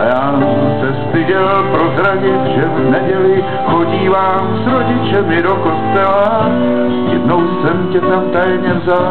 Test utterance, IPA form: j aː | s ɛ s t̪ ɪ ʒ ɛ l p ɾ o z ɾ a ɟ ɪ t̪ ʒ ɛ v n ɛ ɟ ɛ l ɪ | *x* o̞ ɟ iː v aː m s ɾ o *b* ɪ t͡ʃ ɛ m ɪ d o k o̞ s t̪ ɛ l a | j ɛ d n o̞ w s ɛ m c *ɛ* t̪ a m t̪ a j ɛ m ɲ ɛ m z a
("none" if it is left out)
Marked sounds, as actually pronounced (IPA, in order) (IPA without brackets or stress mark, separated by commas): x, ɟ, ɛ